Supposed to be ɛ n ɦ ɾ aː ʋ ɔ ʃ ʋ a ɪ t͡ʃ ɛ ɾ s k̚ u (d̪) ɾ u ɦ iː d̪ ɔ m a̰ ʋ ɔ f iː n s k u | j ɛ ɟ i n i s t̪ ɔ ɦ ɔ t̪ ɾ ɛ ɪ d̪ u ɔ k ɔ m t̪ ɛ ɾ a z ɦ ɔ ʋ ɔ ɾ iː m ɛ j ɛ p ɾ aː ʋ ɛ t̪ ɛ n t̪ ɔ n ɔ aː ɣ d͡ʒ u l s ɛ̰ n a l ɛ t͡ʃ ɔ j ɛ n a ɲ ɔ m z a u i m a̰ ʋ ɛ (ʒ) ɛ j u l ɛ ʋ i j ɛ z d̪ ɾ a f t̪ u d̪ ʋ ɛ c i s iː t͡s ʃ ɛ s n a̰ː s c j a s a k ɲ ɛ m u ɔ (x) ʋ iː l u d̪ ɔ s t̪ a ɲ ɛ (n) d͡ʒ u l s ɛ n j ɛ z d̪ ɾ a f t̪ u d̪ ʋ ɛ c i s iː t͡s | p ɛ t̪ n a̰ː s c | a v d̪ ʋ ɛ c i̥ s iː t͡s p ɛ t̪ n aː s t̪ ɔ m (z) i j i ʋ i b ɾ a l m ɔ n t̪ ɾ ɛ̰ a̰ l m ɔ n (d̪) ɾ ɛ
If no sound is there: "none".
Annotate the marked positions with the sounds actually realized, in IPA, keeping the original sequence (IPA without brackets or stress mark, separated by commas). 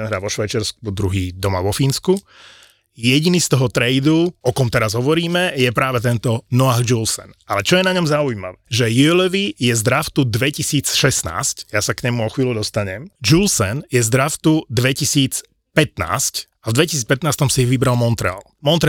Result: d̪, ʒ, x, m, s, t̪